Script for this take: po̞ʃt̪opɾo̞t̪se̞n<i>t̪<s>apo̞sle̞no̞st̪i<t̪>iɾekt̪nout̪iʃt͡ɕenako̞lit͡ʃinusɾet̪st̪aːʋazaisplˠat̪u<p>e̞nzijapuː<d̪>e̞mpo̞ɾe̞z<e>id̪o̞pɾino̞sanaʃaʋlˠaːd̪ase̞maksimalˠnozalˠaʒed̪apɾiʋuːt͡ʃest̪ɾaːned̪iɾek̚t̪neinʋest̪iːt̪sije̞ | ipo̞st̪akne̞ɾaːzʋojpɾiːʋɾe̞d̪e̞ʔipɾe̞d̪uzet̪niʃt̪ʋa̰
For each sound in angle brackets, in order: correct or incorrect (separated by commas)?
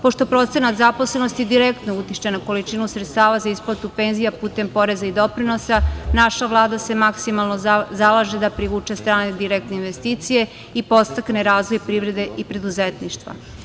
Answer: incorrect, incorrect, incorrect, correct, incorrect, incorrect